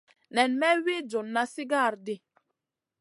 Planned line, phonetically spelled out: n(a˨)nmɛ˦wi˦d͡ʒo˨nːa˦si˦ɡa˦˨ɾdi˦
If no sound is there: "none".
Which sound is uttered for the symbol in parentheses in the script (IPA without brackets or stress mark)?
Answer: ɛ˨